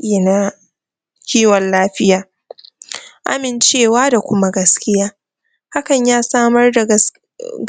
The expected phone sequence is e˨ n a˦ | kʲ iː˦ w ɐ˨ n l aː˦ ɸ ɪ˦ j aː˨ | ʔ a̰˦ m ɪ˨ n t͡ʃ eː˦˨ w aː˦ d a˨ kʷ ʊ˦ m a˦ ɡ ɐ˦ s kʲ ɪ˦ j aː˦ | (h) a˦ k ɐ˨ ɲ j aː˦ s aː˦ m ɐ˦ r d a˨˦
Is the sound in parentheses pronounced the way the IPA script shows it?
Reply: yes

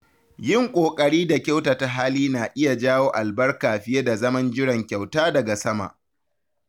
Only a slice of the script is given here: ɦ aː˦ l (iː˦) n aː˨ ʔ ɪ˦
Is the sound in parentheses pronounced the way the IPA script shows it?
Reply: yes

